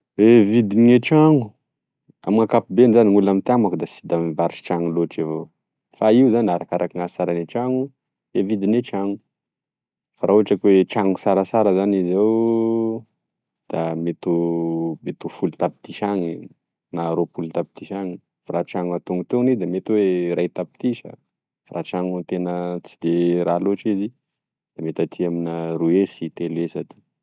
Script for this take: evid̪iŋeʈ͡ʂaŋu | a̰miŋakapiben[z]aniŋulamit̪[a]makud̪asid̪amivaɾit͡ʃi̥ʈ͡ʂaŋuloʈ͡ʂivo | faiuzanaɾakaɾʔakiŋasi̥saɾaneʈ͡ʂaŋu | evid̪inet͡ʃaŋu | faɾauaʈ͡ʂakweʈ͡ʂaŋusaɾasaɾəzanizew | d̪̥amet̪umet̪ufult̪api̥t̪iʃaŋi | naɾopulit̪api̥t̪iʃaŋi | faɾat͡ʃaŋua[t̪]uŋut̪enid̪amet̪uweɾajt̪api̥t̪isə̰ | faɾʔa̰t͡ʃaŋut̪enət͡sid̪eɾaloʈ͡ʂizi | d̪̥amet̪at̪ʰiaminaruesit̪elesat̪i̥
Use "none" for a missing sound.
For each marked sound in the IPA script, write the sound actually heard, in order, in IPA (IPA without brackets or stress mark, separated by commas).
z, a, t̪